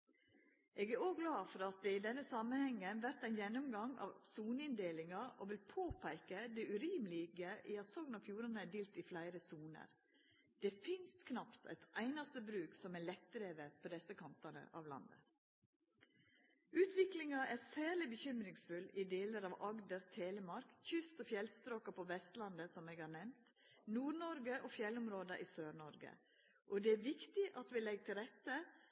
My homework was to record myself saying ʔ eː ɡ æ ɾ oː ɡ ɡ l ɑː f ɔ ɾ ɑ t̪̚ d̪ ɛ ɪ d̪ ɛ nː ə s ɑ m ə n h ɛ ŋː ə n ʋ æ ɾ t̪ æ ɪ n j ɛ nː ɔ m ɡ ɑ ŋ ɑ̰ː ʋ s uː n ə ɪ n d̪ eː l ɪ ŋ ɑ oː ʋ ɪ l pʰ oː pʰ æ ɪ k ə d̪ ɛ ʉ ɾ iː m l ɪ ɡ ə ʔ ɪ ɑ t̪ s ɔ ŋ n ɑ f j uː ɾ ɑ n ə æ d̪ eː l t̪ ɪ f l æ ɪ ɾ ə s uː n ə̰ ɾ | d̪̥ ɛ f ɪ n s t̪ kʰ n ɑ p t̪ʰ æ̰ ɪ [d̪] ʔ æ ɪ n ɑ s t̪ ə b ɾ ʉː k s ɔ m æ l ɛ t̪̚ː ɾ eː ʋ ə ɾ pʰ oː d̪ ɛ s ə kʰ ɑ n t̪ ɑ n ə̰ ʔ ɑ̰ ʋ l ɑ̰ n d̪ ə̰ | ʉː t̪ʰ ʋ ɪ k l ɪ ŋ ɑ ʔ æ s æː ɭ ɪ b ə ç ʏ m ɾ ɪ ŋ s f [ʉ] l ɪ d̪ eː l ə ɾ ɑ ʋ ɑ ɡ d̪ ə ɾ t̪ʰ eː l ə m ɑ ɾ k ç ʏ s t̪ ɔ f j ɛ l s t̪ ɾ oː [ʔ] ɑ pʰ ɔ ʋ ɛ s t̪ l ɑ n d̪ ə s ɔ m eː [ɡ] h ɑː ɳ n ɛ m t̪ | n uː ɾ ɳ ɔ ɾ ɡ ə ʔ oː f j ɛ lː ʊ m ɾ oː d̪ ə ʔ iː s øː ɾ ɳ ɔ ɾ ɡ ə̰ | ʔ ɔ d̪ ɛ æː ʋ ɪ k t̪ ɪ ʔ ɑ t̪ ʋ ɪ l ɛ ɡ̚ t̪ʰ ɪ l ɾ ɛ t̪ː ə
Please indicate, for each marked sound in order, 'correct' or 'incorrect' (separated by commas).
incorrect, correct, incorrect, correct